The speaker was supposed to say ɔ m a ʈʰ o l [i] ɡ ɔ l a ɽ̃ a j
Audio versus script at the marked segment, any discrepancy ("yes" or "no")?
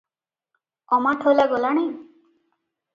yes